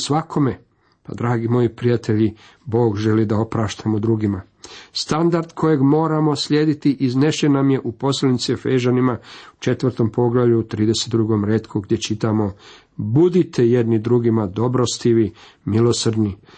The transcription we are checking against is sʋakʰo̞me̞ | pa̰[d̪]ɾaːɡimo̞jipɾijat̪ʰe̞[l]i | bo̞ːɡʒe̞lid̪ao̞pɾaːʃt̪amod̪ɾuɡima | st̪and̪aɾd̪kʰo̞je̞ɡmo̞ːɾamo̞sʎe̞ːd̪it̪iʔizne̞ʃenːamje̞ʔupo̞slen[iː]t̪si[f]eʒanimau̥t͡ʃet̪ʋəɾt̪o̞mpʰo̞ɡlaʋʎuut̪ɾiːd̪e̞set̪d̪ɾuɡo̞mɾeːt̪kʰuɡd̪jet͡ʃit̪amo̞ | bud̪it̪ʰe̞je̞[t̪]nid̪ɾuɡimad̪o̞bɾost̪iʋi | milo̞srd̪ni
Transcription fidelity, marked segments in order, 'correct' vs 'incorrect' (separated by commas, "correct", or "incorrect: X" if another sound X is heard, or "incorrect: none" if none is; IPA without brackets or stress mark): correct, incorrect: ʎ, incorrect: i, correct, incorrect: d̪